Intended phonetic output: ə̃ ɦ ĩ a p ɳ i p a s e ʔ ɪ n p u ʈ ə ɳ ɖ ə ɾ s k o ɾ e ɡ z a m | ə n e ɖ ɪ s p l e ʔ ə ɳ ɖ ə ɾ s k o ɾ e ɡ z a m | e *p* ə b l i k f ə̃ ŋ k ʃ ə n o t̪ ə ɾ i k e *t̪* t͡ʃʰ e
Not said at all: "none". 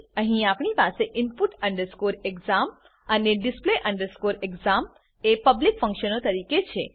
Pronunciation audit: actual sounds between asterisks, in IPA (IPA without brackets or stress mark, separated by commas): p, none